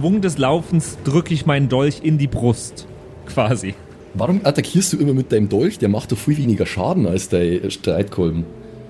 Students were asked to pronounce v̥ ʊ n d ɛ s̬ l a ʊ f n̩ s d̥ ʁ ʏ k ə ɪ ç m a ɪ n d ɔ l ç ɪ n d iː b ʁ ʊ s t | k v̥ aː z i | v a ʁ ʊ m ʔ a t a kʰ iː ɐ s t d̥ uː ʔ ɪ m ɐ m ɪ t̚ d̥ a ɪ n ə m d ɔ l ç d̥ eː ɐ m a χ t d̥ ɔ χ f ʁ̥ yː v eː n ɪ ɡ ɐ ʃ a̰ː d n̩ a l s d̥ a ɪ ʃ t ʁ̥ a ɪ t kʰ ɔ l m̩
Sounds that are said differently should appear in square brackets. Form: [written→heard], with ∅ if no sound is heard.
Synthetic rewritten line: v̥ ʊ [n→ŋ] d ɛ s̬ l a ʊ f n̩ s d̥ ʁ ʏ k ə ɪ ç m a ɪ n d ɔ l ç ɪ n d iː b ʁ ʊ s t | k v̥ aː z i | v a ʁ ʊ m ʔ a t a kʰ iː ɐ s t d̥ uː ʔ ɪ m ɐ m ɪ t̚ d̥ a ɪ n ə m d ɔ l ç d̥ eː ɐ m a χ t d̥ ɔ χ f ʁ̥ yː v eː n ɪ ɡ ɐ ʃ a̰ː d n̩ a l s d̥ a ɪ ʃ t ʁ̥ a ɪ t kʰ ɔ l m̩